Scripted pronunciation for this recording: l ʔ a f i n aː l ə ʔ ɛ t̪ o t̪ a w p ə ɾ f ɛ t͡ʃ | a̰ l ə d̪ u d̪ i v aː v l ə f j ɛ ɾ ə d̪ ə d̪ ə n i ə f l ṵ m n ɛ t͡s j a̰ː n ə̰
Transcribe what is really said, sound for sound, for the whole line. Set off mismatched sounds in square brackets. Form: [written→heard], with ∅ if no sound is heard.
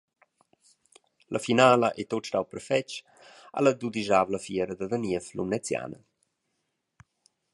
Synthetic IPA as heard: l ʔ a f i n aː l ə ʔ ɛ t̪ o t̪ a w p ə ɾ f ɛ t͡ʃ | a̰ l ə d̪ u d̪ i [v→ʒ] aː v l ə f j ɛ ɾ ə d̪ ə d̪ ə n i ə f l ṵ m n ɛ t͡s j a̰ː n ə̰